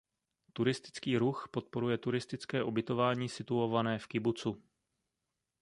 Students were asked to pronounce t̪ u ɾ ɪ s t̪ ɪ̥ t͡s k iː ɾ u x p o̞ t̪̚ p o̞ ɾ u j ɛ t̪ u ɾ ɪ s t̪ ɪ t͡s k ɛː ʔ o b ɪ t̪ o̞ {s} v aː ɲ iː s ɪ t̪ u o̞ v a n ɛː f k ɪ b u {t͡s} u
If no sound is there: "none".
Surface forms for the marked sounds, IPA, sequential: none, t͡s

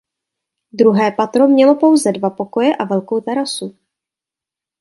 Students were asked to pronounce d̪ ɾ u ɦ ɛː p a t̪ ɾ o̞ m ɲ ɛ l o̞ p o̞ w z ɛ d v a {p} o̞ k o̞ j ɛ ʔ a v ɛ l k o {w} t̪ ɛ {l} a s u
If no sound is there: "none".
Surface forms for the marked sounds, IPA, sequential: p, w, ɾ

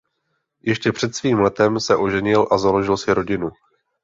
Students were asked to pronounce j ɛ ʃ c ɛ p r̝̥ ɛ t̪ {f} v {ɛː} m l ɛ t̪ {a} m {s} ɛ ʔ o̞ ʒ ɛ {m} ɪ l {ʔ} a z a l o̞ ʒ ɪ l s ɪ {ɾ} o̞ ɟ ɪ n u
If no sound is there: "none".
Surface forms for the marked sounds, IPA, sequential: s, iː, ɛ, s, ɲ, ʔ, ɾ

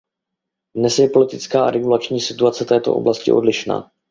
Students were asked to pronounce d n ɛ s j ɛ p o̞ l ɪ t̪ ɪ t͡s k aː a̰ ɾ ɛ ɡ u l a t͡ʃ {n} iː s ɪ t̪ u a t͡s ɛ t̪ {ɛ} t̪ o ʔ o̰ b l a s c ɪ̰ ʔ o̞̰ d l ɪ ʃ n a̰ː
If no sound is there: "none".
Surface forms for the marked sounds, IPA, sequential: ɲ, ɛː

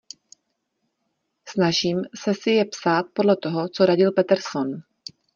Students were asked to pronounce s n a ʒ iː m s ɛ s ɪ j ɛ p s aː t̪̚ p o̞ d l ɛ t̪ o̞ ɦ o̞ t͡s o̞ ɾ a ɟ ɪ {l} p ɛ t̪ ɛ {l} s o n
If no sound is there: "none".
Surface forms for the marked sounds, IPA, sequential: l, ɾ

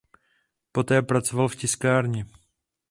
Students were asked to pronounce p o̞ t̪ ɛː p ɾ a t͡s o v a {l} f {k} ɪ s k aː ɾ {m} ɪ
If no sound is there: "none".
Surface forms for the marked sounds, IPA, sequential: l, c, ɲ

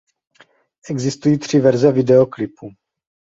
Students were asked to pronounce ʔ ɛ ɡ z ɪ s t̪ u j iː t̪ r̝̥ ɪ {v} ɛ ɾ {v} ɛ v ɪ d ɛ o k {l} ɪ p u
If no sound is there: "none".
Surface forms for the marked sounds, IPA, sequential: v, z, l

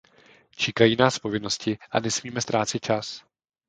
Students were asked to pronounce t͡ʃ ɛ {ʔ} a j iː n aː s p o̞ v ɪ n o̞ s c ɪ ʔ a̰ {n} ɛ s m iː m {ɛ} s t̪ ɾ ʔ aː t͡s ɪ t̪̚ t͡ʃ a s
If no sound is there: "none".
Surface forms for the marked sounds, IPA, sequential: k, n, ɛ

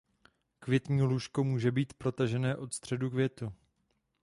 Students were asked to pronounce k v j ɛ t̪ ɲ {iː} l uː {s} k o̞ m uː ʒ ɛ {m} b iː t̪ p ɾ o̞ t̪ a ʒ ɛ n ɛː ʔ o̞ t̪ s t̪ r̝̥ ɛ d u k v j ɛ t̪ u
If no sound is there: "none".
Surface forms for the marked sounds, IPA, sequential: iː, ʃ, none

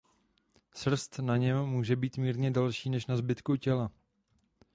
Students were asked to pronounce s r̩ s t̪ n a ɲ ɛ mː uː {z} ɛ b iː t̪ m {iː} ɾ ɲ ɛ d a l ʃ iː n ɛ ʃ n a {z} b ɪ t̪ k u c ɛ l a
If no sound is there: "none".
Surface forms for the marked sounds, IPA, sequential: ʒ, iː, z

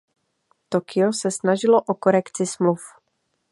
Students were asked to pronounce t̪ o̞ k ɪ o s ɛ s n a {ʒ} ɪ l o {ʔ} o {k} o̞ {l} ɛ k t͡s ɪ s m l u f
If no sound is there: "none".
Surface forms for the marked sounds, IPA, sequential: ʒ, ʔ, k, ɾ

